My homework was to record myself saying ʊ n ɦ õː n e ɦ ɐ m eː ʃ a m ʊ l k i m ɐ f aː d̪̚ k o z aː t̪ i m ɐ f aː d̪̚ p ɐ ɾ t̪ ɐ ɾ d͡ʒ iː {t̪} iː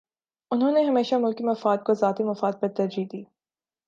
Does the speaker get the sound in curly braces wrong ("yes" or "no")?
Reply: yes